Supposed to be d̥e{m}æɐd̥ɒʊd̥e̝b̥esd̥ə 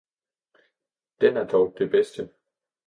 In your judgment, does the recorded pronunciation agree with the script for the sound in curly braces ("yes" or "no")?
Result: no